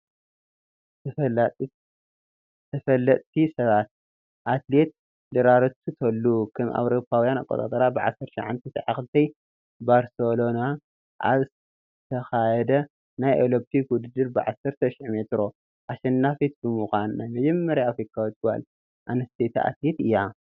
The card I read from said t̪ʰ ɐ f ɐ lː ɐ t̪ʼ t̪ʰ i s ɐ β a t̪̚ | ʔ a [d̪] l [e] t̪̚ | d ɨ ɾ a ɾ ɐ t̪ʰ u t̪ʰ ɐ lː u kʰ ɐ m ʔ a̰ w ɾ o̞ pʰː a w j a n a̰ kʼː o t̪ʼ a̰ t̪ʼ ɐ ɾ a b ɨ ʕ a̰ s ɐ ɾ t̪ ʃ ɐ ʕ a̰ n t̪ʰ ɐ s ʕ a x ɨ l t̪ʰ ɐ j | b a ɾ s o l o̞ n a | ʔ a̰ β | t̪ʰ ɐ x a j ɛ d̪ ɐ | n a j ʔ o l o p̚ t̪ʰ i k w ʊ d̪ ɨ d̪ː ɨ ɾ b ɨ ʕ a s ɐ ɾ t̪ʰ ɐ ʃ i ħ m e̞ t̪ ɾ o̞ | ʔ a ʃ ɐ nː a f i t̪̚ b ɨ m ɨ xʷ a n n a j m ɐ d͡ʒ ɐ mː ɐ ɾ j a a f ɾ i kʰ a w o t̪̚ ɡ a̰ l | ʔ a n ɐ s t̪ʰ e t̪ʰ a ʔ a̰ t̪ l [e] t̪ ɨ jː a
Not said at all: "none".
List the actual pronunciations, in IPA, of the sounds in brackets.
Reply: t̪, e, e

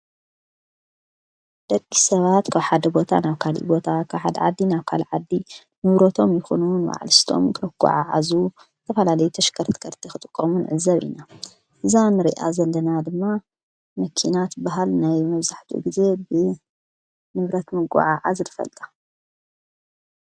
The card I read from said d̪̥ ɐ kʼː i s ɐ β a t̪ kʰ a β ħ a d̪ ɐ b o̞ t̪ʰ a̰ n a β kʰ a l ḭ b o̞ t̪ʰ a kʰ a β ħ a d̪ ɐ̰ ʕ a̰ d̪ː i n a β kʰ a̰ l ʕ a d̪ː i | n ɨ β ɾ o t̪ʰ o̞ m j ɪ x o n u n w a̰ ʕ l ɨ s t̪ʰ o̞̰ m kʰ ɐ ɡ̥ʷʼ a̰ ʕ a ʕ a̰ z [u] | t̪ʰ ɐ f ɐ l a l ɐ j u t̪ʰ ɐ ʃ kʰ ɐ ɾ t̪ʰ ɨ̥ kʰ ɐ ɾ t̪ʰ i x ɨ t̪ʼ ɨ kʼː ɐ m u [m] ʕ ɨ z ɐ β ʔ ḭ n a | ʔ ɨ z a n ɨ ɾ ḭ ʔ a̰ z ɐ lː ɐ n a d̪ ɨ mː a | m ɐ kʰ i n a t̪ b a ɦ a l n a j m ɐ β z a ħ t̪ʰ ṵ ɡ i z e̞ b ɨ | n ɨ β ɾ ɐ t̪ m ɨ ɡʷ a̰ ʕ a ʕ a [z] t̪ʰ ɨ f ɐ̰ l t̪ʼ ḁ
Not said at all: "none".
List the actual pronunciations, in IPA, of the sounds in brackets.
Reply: u, n, z

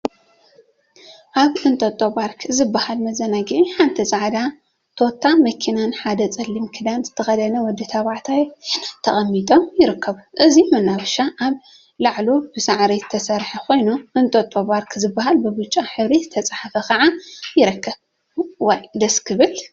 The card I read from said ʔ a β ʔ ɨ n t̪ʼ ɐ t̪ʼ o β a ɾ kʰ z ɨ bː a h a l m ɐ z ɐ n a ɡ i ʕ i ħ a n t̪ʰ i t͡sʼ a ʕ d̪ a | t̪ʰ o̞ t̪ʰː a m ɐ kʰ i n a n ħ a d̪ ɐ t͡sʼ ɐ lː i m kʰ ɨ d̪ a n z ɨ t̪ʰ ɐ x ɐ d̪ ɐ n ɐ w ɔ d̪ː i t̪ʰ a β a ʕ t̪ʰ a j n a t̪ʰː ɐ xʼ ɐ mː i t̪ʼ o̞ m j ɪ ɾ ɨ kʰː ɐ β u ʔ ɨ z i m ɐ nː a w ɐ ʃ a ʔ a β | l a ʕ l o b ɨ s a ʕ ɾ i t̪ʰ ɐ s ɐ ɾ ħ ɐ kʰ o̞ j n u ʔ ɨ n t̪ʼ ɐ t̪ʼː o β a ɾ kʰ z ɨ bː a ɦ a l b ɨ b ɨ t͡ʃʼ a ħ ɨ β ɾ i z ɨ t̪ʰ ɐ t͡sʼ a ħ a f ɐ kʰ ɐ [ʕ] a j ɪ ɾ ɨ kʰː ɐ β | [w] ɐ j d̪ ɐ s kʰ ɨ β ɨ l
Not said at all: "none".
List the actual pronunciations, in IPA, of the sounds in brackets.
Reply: ʕ, w

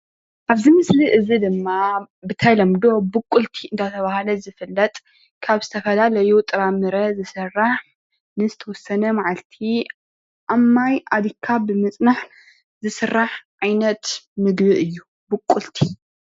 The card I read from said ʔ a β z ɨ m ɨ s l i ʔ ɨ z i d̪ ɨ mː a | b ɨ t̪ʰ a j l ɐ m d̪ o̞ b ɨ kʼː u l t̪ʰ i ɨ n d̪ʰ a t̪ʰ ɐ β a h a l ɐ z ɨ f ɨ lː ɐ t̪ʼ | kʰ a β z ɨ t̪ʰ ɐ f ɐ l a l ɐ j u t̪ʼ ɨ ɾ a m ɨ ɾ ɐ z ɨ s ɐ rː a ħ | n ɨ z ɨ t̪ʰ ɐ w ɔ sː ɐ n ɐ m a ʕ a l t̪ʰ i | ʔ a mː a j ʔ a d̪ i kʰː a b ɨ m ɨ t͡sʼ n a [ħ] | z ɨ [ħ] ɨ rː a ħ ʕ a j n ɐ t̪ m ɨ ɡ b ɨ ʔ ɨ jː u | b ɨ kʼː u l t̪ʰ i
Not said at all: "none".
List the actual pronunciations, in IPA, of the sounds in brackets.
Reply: ħ, s

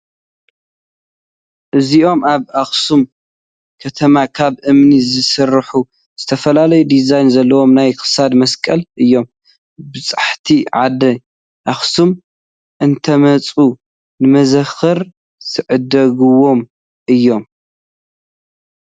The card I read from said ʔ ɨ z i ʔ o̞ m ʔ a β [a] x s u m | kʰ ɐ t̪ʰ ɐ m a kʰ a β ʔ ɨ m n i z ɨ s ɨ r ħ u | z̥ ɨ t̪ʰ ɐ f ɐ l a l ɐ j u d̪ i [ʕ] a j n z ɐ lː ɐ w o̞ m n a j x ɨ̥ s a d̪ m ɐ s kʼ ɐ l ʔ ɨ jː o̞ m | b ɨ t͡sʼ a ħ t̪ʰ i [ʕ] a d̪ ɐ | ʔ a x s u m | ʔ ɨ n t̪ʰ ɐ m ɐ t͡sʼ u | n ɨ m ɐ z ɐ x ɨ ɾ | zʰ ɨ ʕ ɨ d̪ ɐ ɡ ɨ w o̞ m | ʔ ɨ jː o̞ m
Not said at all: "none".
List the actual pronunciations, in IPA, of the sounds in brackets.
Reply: a, z, ʕ

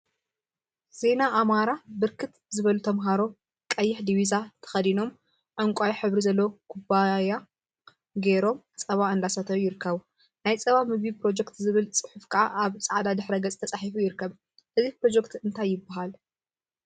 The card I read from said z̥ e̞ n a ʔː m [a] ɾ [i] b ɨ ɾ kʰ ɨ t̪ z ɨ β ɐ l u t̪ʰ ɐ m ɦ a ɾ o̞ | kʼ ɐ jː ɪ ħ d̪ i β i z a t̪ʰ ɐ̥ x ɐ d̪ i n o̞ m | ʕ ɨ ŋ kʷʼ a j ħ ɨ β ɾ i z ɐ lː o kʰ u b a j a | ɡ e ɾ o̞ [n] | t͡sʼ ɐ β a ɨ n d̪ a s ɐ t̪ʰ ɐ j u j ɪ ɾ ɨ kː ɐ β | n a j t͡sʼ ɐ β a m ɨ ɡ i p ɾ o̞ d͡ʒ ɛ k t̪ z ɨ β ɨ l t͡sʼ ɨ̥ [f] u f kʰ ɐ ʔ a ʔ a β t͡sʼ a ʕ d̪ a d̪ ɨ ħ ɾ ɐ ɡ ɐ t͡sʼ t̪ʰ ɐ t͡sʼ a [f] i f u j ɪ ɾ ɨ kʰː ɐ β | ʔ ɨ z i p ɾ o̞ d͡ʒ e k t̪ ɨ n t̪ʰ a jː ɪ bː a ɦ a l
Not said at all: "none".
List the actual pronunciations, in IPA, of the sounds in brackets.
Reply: a, a, m, ħ, ħ

